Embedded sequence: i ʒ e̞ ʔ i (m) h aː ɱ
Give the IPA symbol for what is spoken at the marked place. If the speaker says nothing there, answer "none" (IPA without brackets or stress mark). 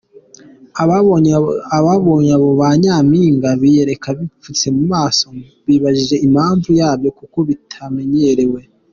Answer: m